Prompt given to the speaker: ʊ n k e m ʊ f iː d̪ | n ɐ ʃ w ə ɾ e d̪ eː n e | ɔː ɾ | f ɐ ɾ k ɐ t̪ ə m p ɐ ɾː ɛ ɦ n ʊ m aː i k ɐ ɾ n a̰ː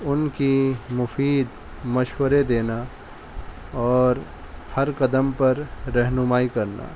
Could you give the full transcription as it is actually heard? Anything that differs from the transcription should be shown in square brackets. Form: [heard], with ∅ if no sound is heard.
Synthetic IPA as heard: ʊ n k [i] m ʊ f iː d̪ | [m] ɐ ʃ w ə ɾ e d̪ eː n [a] | ɔː ɾ | [h] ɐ ɾ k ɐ [d̪] ə m p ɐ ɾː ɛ ɦ n ʊ m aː i k ɐ ɾ n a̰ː

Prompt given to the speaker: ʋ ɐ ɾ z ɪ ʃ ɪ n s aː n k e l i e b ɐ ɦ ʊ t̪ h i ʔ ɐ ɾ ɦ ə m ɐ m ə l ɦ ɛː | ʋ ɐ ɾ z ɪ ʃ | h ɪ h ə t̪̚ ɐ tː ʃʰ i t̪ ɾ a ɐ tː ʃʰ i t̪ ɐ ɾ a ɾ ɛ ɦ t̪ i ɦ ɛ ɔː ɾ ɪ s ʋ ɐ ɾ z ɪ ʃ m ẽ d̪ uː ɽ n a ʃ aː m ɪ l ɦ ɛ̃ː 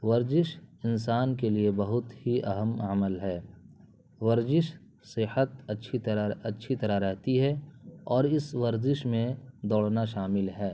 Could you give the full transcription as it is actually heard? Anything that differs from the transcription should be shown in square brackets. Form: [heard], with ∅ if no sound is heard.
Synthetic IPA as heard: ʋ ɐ ɾ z ɪ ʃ ɪ n s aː n k e l i e b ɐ ɦ ʊ t̪ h i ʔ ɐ [∅] ɦ ə m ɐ m ə l ɦ ɛː | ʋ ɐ ɾ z ɪ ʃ | [s] ɪ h ə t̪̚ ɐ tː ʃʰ i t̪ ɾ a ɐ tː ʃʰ i t̪ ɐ ɾ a ɾ ɛ ɦ t̪ i ɦ ɛ ɔː ɾ ɪ s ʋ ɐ ɾ z ɪ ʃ m ẽ d̪ [ɔː] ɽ n a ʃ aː m ɪ l ɦ [ɛː]

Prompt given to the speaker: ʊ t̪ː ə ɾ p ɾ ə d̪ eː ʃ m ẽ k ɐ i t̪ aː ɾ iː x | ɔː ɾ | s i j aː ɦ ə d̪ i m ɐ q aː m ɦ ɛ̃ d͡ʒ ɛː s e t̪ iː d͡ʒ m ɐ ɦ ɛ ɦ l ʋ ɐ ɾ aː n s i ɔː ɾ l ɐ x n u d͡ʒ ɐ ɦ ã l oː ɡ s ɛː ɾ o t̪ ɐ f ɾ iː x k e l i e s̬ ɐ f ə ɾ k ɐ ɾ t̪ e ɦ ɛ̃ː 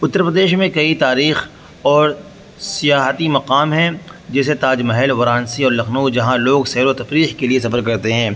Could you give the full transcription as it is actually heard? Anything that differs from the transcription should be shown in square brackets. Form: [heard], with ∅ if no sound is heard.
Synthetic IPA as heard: ʊ t̪ː ə ɾ p ɾ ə d̪ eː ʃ m ẽ k ɐ i t̪ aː ɾ iː x | ɔː ɾ | s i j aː ɦ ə [t̪] i m ɐ q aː m ɦ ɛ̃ d͡ʒ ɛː s e t̪ [aː] d͡ʒ m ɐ ɦ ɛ [∅] l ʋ ɐ ɾ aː n s i ɔː ɾ l ɐ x n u d͡ʒ ɐ ɦ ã l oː ɡ s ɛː ɾ o t̪ ɐ f ɾ iː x k e l i e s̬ ɐ f ə ɾ k ɐ ɾ t̪ e ɦ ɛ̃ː

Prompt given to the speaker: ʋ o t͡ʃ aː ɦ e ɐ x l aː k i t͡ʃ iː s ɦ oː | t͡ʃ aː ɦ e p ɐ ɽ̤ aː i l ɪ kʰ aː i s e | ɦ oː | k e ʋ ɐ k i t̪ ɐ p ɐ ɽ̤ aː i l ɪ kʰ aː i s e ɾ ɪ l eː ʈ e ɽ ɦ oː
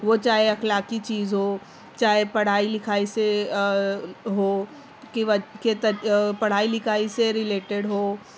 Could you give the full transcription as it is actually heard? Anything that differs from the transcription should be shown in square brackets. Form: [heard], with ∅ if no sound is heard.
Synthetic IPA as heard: ʋ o t͡ʃ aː ɦ e ɐ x l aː k i t͡ʃ iː [z] ɦ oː | t͡ʃ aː ɦ e p ɐ ɽ̤ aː i l ɪ kʰ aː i s e | ɦ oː | k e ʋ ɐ k [e] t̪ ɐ p ɐ ɽ̤ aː i l ɪ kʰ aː i s e ɾ ɪ l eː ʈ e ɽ ɦ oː

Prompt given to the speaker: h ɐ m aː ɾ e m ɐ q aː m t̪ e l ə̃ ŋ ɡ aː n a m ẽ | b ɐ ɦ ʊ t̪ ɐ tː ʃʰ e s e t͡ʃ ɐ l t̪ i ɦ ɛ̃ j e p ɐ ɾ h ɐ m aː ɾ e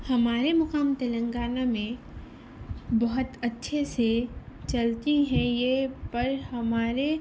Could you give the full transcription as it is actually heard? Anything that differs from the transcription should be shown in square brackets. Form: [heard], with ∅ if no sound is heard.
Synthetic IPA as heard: h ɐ m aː ɾ e m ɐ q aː m t̪ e l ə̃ ŋ ɡ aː n a m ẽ | b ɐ ɦ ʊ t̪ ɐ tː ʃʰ e s e t͡ʃ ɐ l t̪ i ɦ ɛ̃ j e p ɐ ɾ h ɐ m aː ɾ e

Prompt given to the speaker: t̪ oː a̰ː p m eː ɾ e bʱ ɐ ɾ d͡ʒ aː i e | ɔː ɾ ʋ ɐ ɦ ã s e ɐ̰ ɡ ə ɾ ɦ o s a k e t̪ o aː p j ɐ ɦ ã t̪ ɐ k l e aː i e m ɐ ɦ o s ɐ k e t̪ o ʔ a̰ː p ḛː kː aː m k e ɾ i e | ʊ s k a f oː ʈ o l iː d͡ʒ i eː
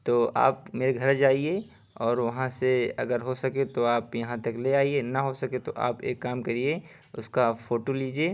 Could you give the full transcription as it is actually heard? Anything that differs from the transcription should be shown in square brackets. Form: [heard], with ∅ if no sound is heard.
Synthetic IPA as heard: t̪ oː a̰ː p m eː ɾ e [ɡʱ] ɐ ɾ d͡ʒ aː i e | ɔː ɾ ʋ ɐ ɦ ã s e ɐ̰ ɡ ə ɾ ɦ o s [ɐ] k e t̪ o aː p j ɐ ɦ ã t̪ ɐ k l e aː i e [n] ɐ ɦ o s ɐ k e t̪ o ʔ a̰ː p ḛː kː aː m k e ɾ i e | ʊ s k a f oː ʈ o l iː d͡ʒ i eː

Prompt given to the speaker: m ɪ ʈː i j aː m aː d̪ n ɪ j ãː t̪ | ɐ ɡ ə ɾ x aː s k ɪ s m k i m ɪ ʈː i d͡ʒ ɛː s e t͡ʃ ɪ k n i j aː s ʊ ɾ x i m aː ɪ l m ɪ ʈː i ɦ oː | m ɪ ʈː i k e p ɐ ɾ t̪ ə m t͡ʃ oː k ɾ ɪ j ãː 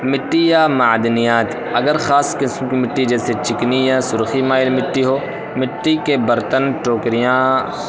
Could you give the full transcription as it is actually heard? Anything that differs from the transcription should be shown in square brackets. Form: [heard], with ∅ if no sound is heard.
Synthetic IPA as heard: m ɪ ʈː i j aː m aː d̪ n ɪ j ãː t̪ | ɐ ɡ ə ɾ x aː s k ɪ s m k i m ɪ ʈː i d͡ʒ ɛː s e t͡ʃ ɪ k n i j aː s ʊ ɾ x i m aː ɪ l m ɪ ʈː i ɦ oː | m ɪ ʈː i k e [b] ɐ ɾ t̪ ə [n] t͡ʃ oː k ɾ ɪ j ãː

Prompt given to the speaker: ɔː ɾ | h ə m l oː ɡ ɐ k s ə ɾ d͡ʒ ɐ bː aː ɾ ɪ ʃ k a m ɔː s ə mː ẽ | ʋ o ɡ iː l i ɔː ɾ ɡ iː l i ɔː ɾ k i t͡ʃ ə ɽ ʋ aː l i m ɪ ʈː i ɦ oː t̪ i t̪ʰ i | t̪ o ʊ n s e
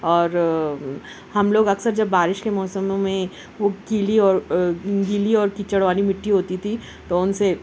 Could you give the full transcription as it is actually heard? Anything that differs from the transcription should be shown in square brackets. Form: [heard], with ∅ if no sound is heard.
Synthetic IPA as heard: ɔː ɾ | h [ɐ] m l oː ɡ ɐ k s ə ɾ d͡ʒ ɐ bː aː ɾ ɪ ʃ k [e] m ɔː s ə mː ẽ | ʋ o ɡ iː l i ɔː ɾ ɡ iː l i ɔː ɾ k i t͡ʃ ə ɽ ʋ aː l i m ɪ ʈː i ɦ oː t̪ i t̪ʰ i | t̪ o ʊ n s e

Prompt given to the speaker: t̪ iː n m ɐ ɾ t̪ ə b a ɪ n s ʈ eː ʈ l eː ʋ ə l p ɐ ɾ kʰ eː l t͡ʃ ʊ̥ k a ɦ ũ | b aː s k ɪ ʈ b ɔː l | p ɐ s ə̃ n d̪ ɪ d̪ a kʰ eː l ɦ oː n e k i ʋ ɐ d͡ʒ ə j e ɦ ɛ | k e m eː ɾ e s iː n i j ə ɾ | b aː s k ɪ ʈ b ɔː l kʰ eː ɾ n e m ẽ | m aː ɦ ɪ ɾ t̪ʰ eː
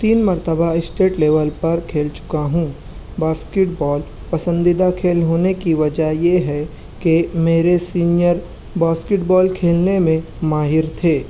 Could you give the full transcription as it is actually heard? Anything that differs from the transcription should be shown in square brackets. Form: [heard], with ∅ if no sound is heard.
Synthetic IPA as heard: t̪ iː n m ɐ ɾ t̪ ə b a ɪ [∅] s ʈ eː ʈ l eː ʋ ə l p ɐ ɾ kʰ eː l t͡ʃ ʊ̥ k a ɦ ũ | b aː s k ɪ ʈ b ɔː l | p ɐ s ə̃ n d̪ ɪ d̪ a kʰ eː l ɦ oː n e k i ʋ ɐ d͡ʒ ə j e ɦ ɛ | k e m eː ɾ e s iː n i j ə ɾ | b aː s k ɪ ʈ b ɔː l kʰ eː [l] n e m ẽ | m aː ɦ ɪ ɾ t̪ʰ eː

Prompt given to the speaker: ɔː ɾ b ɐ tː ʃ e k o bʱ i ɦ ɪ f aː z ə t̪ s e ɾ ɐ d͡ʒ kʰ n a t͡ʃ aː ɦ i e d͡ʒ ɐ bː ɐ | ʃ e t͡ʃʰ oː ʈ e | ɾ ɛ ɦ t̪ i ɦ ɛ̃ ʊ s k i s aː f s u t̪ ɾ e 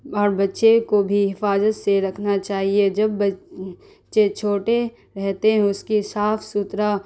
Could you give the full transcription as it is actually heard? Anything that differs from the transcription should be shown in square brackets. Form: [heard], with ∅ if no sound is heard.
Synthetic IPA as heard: ɔː ɾ b ɐ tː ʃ e k o bʱ i ɦ ɪ f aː z ə t̪ s e ɾ ɐ [∅] kʰ n a t͡ʃ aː ɦ i e d͡ʒ ɐ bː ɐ | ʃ e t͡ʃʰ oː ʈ e | ɾ ɛ ɦ t̪ [e] ɦ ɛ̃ ʊ s k i s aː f s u t̪ ɾ [a]

